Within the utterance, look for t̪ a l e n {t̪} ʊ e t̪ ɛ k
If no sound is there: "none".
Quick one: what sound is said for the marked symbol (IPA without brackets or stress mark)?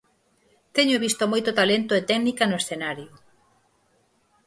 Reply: t̪